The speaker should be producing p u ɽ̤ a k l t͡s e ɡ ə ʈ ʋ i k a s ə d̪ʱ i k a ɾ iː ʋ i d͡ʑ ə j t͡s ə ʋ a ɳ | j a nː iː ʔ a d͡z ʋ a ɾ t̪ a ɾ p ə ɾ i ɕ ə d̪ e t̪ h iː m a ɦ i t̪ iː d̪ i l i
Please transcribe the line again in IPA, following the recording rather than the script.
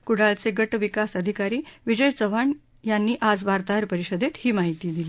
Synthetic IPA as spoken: k u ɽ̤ a l t͡s e ɡ ə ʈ ʋ i k a s ə d̪ʱ i k a ɾ iː ʋ i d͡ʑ ə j t͡s ə ʋ a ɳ | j a nː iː ʔ a d͡z ʋ a ɾ t̪ a ɾ p ə ɾ i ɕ ə d̪ e t̪ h iː m a ɦ i t̪ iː d̪ i l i